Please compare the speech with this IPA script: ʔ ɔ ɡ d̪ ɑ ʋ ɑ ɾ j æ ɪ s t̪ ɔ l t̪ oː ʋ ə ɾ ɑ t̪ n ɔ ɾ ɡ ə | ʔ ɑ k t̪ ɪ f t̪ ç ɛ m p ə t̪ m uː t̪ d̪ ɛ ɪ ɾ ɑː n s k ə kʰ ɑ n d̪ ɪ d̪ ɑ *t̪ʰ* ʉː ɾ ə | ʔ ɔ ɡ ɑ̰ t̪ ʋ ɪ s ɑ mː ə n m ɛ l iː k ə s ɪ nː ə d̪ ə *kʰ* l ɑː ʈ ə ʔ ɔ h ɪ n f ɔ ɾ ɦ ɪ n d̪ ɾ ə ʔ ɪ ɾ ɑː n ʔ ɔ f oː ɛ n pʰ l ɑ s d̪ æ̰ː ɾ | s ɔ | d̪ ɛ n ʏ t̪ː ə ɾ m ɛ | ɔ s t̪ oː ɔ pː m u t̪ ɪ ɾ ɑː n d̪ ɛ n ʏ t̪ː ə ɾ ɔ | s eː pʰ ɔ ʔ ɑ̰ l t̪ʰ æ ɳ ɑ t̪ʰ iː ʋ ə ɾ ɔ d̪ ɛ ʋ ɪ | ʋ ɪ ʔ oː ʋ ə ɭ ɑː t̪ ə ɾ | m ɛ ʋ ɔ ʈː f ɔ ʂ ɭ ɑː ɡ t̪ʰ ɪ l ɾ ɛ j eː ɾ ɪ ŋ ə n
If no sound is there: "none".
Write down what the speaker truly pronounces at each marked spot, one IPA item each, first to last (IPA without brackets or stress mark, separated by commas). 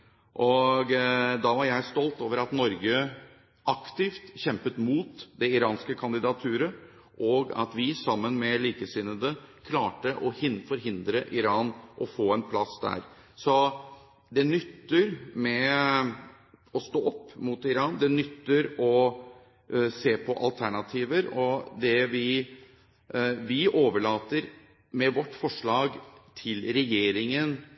t̪ʰ, kʰ